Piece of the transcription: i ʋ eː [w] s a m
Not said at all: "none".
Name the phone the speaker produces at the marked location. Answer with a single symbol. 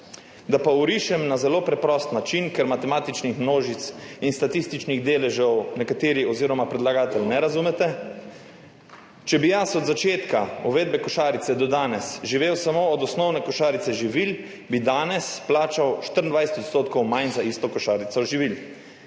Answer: w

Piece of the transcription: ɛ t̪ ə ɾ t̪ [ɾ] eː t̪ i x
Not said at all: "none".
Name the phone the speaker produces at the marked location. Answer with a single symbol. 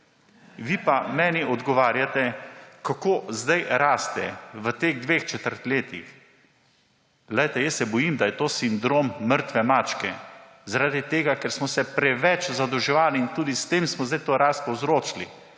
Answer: l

